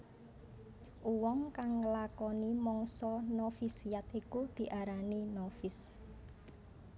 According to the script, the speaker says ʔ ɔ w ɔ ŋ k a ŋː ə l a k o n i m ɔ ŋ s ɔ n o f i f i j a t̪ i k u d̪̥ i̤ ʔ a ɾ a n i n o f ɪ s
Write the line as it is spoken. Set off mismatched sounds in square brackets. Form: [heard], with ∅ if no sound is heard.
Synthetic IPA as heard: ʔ [u] w ɔ ŋ k a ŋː ə l a k [ɔ] n i m ɔ ŋ s ɔ n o f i [s] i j a t̪ i k u d̪̥ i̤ ʔ a ɾ a n i n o f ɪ s